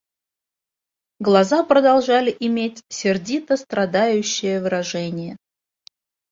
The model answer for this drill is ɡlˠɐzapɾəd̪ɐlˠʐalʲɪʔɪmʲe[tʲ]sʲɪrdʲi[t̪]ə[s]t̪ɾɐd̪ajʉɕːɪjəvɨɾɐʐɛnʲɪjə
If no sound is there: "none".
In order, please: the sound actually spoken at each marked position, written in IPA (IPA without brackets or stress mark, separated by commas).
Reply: tʲ, t̪, s